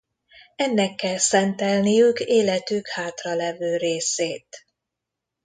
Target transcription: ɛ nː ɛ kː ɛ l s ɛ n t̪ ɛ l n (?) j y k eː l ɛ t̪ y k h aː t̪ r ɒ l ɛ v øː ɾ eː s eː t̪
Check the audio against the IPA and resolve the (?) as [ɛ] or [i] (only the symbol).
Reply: i